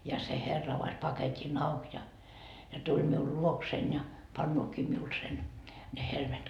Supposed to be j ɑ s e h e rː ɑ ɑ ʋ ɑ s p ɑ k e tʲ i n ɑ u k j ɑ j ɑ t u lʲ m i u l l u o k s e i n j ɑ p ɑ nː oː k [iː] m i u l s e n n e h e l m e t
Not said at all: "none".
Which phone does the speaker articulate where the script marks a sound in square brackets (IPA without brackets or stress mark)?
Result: iː